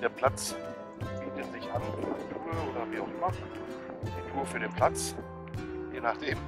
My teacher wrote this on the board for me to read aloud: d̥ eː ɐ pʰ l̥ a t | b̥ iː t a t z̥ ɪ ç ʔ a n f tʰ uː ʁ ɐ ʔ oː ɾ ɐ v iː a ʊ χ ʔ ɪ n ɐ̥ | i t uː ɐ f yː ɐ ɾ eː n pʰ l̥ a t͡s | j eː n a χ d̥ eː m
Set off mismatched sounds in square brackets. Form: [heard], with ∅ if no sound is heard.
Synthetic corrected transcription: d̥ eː ɐ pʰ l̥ a [t͡s] | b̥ iː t [ə] t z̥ ɪ ç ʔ a n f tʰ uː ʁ [ə] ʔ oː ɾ ɐ v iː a ʊ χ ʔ ɪ [m] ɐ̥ | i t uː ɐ f yː ɐ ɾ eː n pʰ l̥ a t͡s | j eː n a χ d̥ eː m

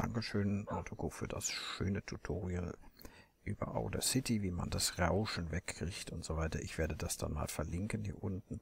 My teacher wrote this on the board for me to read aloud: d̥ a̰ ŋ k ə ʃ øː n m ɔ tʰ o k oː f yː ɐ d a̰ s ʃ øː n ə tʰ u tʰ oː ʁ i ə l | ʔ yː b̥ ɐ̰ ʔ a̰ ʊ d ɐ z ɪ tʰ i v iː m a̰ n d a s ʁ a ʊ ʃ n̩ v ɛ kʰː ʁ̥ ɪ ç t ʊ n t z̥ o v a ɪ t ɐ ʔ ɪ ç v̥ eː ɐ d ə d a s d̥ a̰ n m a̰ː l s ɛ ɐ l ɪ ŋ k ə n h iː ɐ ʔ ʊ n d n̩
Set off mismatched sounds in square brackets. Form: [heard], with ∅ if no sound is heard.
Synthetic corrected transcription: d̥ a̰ ŋ k ə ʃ øː n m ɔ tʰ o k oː f yː ɐ d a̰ s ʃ øː n ə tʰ u tʰ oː ʁ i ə l | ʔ yː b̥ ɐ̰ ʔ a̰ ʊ d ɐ [s] ɪ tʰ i v iː m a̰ n d a s ʁ a ʊ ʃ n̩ v ɛ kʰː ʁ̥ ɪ ç t ʊ n t z̥ o v a ɪ t ɐ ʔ ɪ ç v̥ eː ɐ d ə d a s d̥ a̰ n m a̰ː l [f] ɛ ɐ l ɪ ŋ k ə n h iː ɐ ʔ ʊ n [t] n̩

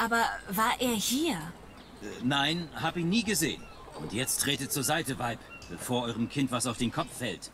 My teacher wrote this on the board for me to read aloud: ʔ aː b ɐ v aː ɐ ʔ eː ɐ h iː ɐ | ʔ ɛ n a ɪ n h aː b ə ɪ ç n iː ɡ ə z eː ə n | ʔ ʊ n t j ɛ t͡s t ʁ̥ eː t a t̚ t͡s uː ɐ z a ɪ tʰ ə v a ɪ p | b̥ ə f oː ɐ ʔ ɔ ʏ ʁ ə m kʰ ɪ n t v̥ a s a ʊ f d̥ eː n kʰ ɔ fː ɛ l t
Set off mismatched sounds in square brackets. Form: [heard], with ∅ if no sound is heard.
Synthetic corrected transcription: ʔ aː b ɐ v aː ɐ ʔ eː ɐ h iː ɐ | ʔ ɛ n a ɪ n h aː b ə ɪ ç n iː ɡ ə z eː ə n | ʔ ʊ n t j ɛ t͡s t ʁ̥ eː t [ə] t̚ t͡s uː ɐ z a ɪ [t] ə v a ɪ p | b̥ ə f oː ɐ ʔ ɔ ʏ ʁ ə m kʰ ɪ n t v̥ a s a ʊ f d̥ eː n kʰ ɔ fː ɛ l t

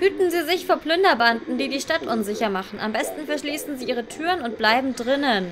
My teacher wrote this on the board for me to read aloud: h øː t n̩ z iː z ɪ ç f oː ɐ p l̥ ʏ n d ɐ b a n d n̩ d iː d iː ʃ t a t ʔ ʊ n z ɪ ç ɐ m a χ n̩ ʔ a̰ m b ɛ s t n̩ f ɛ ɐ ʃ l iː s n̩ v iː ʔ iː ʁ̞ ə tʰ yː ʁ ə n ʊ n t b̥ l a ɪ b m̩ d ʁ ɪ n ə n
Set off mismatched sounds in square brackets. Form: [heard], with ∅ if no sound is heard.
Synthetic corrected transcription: h [yː] t n̩ z iː z ɪ ç f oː ɐ p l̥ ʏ n d ɐ b a n d n̩ d iː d iː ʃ t a t ʔ ʊ n z ɪ ç ɐ m a χ n̩ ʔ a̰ m b ɛ s t n̩ f ɛ ɐ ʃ l iː s n̩ [z] iː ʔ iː ʁ̞ ə tʰ yː ʁ ə n ʊ n t b̥ l a ɪ b m̩ d ʁ ɪ n ə n

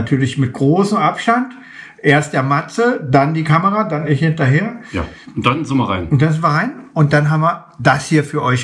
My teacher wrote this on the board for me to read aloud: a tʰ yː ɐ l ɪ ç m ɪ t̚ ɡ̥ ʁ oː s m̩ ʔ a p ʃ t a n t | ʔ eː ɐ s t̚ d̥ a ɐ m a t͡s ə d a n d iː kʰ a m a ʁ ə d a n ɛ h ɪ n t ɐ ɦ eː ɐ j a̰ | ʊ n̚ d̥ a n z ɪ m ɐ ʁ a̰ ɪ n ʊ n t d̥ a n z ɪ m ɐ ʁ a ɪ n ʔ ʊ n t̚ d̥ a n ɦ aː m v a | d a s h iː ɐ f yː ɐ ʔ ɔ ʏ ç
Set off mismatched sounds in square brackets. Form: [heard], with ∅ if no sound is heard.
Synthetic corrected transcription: a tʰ yː ɐ l ɪ ç m ɪ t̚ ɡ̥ ʁ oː s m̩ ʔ a p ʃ t a n t | ʔ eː ɐ s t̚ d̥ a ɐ m a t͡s ə d a n d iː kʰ a m [ə] ʁ [a] d a n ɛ h ɪ n t ɐ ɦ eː ɐ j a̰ | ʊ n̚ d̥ a n z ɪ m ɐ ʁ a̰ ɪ n ʊ n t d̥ a n z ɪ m ɐ ʁ a ɪ n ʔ ʊ n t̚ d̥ a n ɦ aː m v [ɐ] | d a s h iː ɐ f yː ɐ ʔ ɔ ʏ ç

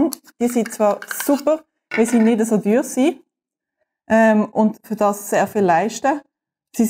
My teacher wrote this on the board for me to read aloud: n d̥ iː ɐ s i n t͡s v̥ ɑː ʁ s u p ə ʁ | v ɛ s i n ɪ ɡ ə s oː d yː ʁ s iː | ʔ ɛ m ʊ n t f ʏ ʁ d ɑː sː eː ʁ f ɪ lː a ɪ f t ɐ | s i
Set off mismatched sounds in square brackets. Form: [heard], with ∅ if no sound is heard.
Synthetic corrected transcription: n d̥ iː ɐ s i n t͡s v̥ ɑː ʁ s u p ə ʁ | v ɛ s i n ɪ [d] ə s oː d yː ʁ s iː | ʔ ɛ m ʊ n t f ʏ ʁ d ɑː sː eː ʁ f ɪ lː a ɪ [ʃ] t [ə] | s i

